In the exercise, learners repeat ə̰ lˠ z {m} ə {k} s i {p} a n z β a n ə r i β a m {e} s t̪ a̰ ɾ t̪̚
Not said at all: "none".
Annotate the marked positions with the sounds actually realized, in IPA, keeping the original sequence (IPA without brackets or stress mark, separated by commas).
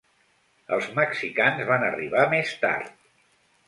m, k, k, e